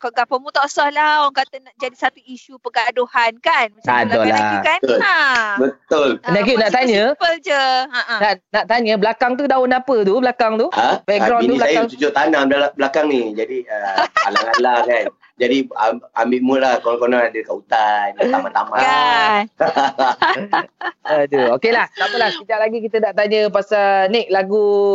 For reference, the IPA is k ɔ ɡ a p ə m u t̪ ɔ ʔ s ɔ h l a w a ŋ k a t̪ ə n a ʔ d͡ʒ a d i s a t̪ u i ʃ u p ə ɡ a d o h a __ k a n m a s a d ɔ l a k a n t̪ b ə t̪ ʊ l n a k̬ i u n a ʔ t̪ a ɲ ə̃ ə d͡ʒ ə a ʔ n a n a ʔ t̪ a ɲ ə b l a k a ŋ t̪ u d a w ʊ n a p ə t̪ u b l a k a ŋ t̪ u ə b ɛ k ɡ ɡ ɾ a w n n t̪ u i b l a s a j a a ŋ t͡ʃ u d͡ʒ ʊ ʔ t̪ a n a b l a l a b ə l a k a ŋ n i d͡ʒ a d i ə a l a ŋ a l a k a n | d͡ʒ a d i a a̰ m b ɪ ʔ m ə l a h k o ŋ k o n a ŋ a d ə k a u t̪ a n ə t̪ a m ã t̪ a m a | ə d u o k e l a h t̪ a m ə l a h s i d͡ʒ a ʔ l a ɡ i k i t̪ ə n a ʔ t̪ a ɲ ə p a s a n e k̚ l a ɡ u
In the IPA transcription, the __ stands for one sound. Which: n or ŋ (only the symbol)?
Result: n